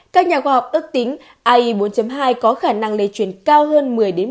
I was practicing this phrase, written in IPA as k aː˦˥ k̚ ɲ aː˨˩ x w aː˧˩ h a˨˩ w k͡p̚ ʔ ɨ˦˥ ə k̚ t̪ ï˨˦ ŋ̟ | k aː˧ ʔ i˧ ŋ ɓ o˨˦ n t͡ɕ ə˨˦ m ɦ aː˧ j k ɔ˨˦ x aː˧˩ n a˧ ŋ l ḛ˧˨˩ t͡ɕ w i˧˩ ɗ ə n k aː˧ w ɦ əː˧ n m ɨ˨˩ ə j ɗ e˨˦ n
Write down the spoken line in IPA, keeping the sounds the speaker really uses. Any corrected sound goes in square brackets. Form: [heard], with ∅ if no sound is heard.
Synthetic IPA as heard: k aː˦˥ k̚ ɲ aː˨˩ x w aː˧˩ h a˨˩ w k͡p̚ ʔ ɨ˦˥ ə k̚ t̪ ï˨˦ ŋ̟ | [ʔ] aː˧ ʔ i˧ [∅] ɓ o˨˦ n t͡ɕ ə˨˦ m ɦ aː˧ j k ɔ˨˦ x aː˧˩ n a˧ ŋ l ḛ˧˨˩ t͡ɕ w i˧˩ [∅] ə n k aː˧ w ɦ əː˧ n m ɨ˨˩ ə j ɗ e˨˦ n